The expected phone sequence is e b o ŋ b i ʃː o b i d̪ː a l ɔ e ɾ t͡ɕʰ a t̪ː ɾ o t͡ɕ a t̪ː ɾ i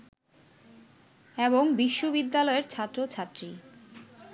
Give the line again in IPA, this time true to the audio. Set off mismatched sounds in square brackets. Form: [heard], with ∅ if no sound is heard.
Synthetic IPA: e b o ŋ b i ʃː o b i d̪ː a l ɔ e ɾ t͡ɕʰ a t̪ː ɾ o [t͡ɕʰ] a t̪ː ɾ i